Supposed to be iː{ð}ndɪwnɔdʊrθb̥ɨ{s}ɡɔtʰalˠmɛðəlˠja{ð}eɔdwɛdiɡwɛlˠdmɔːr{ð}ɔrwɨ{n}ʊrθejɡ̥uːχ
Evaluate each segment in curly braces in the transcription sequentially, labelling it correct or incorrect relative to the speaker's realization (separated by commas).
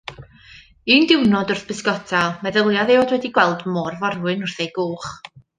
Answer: incorrect, correct, correct, incorrect, correct